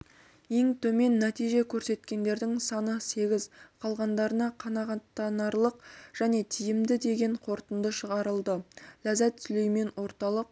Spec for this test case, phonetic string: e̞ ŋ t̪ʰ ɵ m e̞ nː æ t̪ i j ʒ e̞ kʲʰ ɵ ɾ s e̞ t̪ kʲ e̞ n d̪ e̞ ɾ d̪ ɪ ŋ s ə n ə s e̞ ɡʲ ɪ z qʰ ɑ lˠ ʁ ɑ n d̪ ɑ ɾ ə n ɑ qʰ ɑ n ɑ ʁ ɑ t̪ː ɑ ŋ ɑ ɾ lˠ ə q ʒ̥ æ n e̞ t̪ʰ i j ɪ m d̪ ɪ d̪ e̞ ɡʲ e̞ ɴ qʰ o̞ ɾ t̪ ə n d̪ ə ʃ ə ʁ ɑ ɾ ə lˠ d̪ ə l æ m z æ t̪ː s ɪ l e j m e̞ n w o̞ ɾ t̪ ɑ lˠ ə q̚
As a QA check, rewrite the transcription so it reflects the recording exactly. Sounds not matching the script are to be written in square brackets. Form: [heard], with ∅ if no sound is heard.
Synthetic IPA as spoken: e̞ ŋ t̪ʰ ɵ m e̞ nː æ t̪ i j ʒ e̞ kʲʰ ɵ ɾ s e̞ t̪ kʲ e̞ n d̪ e̞ ɾ d̪ ɪ ŋ s [ɑ] n ə s e̞ ɡʲ ɪ z qʰ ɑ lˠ ʁ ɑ n d̪ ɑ ɾ ə n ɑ qʰ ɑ n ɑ ʁ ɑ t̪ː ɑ [n] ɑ ɾ lˠ ə q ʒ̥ æ n e̞ t̪ʰ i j ɪ m d̪ ɪ d̪ e̞ ɡʲ e̞ ɴ qʰ o̞ ɾ t̪ ə n d̪ ə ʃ ə ʁ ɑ ɾ ə lˠ d̪ ə l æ [∅] z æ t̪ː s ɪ l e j m e̞ n w o̞ ɾ t̪ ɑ lˠ ə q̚

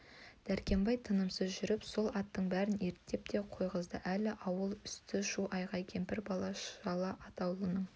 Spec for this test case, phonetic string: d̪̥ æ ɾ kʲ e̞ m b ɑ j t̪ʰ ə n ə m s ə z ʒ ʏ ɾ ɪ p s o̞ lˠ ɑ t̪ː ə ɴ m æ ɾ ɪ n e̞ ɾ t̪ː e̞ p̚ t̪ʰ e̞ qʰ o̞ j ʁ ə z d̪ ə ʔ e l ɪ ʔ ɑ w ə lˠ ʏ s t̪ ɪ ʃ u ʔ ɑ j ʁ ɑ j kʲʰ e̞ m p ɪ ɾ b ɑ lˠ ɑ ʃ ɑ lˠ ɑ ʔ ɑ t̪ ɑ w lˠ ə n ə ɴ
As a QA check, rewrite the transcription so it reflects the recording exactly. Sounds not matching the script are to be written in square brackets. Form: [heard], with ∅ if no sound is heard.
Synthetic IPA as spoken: d̪̥ æ ɾ kʲ e̞ m b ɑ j t̪ʰ ə n ə m s ə z ʒ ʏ ɾ ɪ p s o̞ lˠ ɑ t̪ː ə ɴ [b] æ ɾ ɪ n e̞ ɾ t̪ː e̞ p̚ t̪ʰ e̞ qʰ o̞ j ʁ ə z d̪ ə ʔ [æ] l ɪ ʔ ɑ w ə lˠ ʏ s t̪ ɪ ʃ u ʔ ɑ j ʁ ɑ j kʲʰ e̞ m p ɪ ɾ b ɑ lˠ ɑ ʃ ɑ lˠ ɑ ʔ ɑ t̪ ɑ w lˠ ə n ə ɴ

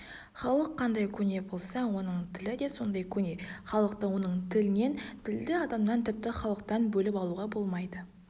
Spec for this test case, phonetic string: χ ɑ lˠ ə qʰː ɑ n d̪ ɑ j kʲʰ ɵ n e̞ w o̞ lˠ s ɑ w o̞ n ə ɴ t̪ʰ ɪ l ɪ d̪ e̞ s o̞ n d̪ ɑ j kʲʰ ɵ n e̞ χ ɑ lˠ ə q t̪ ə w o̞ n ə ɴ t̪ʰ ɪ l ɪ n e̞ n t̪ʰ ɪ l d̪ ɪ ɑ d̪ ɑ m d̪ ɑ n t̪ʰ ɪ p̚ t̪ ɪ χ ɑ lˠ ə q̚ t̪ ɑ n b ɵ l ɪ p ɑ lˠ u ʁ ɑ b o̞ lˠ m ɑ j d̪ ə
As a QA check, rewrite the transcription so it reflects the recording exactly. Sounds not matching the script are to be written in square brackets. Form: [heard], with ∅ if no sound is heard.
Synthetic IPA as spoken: χ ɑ lˠ ə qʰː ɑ n d̪ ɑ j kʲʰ ɵ n e̞ [b] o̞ lˠ s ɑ w o̞ n ə ɴ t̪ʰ ɪ l ɪ d̪ e̞ s o̞ n d̪ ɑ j kʲʰ ɵ n e̞ χ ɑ lˠ ə q t̪ ə w o̞ n ə ɴ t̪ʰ ɪ l ɪ n e̞ n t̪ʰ ɪ l d̪ ɪ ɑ d̪ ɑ m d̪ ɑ n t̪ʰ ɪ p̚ t̪ ɪ χ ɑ lˠ ə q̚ t̪ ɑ n b ɵ l ɪ p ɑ lˠ u ʁ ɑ b o̞ lˠ m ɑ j d̪ ə

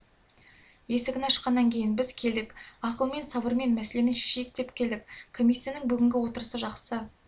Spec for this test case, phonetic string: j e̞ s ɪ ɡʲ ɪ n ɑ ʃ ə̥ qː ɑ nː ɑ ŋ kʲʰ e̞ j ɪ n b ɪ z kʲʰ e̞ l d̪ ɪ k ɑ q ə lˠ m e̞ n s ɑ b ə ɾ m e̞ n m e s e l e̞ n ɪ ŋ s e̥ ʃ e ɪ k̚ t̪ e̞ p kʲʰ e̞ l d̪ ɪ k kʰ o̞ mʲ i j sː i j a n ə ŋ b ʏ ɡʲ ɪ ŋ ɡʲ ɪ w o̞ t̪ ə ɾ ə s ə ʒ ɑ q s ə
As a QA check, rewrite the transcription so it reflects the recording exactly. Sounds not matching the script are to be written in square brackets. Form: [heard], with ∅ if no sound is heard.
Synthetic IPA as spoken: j e̞ s ɪ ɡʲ ɪ n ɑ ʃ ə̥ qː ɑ nː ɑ ŋ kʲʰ e̞ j ɪ n b ɪ z kʲʰ e̞ l d̪ ɪ k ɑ q ə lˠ m e̞ n s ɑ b ə ɾ m e̞ n m [æ] s e l e̞ n ɪ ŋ [ʃ] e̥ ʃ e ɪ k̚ t̪ e̞ p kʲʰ e̞ l d̪ ɪ k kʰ o̞ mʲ i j sː i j a n ə ŋ b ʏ ɡʲ ɪ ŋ ɡʲ ɪ w o̞ t̪ ə ɾ ə s ə ʒ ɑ q s ə

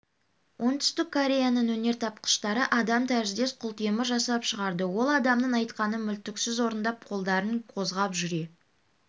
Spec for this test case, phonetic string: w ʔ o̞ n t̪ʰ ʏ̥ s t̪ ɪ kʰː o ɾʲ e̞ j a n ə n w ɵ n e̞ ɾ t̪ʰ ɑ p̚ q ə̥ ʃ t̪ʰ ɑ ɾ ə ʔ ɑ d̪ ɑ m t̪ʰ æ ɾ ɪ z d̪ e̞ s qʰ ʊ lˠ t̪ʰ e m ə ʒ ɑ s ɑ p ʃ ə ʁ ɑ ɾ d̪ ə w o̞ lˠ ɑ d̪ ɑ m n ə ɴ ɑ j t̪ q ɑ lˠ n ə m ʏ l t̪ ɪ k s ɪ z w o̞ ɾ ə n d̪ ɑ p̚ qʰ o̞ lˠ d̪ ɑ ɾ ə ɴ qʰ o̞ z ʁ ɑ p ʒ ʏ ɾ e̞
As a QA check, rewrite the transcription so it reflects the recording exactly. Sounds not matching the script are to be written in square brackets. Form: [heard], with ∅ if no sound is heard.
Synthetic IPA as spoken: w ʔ o̞ n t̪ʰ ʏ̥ s t̪ ɪ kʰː o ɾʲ e̞ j a n ə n w ɵ n e̞ ɾ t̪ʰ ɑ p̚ q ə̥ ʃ [t̪] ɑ ɾ ə ʔ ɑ d̪ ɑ m t̪ʰ æ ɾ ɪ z d̪ e̞ s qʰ ʊ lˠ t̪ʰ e m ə ʒ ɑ s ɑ p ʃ ə ʁ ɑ ɾ d̪ ə w o̞ lˠ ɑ d̪ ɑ m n ə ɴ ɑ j t̪ q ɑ [∅] n ə m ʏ l t̪ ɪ k s ɪ z w o̞ ɾ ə n d̪ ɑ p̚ qʰ o̞ lˠ d̪ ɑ ɾ ə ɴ qʰ o̞ z ʁ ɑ p ʒ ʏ ɾ e̞

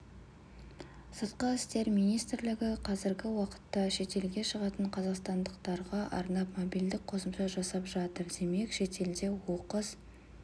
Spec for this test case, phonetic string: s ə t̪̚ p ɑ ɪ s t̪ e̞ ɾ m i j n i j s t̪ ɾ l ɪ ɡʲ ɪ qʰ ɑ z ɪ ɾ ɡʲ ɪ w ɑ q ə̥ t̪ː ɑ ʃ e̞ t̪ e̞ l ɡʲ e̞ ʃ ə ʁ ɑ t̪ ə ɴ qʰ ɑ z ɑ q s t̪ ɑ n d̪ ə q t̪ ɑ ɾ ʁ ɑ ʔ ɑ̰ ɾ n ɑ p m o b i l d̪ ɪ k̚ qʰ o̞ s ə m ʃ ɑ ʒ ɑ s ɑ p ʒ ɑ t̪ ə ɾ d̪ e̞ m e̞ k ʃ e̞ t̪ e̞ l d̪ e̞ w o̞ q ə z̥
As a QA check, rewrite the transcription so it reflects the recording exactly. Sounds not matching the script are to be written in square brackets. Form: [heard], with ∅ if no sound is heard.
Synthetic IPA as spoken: s ə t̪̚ [q] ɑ ɪ s t̪ e̞ ɾ m i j n i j s t̪ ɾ l ɪ ɡʲ ɪ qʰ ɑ z ɪ ɾ ɡʲ ɪ w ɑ q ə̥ t̪ː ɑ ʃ e̞ t̪ e̞ l ɡʲ e̞ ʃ ə ʁ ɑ t̪ ə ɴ qʰ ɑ z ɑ q s t̪ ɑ n d̪ ə q t̪ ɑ ɾ ʁ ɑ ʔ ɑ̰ ɾ n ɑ p m o b i l d̪ ɪ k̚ qʰ o̞ s ə m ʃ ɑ ʒ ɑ s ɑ p ʒ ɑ t̪ ə ɾ d̪ e̞ m e̞ k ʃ e̞ t̪ e̞ l d̪ e̞ w o̞ q ə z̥

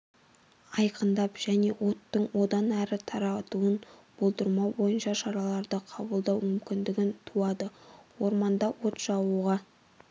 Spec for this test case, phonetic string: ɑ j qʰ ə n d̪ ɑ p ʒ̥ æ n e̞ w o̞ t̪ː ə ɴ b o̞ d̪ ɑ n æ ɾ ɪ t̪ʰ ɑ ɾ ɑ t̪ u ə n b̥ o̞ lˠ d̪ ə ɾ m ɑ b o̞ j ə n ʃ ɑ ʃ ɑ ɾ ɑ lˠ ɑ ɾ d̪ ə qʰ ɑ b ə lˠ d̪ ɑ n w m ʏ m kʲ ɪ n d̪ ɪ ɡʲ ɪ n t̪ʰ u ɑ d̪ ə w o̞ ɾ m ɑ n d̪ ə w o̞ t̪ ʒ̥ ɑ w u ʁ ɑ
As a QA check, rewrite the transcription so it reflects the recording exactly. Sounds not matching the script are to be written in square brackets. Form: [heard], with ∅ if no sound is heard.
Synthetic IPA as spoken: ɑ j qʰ ə n d̪ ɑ p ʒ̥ æ n e̞ w o̞ t̪ː ə ɴ [w] o̞ d̪ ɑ n æ ɾ ɪ t̪ʰ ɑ ɾ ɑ t̪ u ə n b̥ o̞ lˠ d̪ ə ɾ m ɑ b o̞ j ə n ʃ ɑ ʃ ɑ ɾ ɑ lˠ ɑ ɾ d̪ ə qʰ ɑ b ə lˠ d̪ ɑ [∅] w m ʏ m kʲ ɪ n d̪ ɪ ɡʲ ɪ n t̪ʰ u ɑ d̪ ə w o̞ ɾ m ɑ n d̪ [ɑ] w o̞ t̪ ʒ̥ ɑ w u ʁ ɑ

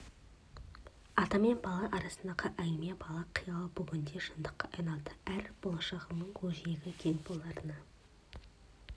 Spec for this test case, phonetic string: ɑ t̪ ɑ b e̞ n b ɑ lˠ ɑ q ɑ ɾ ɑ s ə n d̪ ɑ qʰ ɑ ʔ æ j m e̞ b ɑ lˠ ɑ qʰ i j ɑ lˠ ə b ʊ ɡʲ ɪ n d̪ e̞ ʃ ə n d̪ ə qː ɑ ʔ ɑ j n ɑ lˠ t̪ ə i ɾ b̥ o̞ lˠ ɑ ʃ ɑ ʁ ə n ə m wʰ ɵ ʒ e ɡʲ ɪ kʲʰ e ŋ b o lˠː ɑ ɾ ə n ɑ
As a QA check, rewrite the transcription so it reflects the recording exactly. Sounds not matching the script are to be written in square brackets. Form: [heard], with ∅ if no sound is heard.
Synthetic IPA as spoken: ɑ t̪ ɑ [m] e̞ n b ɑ lˠ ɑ [ʔ] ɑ ɾ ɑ s ə n d̪ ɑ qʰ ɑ ʔ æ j m e̞ b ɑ lˠ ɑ qʰ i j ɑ lˠ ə b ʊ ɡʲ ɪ n d̪ e̞ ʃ ə n d̪ ə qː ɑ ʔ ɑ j n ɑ lˠ [d̪] ə [æ] ɾ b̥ o̞ lˠ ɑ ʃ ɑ ʁ ə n ə [ɴ] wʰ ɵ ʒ e ɡʲ ɪ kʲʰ e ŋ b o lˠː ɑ ɾ ə n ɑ

